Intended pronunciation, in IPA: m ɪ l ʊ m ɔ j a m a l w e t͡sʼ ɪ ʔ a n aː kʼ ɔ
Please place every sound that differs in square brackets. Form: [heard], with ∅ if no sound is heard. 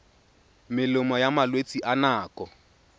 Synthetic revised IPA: m ɪ l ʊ m ɔ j a m a l w e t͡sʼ [i] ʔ a n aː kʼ ɔ